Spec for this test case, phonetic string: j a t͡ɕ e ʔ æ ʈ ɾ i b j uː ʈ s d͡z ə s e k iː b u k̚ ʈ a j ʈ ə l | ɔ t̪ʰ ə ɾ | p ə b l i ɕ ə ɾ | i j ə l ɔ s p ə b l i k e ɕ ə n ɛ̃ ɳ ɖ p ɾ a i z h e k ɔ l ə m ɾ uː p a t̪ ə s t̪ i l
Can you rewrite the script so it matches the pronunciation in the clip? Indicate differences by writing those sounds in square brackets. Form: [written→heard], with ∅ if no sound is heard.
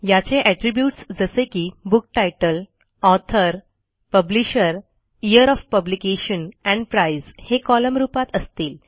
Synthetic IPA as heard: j a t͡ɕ e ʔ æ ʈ ɾ i b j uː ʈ s d͡z ə s e k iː b u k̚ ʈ a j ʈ ə l | ɔ t̪ʰ ə ɾ | p ə b l i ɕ ə ɾ | i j ə [l→ɾ] ɔ [s→f] p ə b l i k e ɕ ə n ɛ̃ ɳ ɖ p ɾ a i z h e k ɔ l ə m ɾ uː p a t̪ ə s t̪ [i→iː] l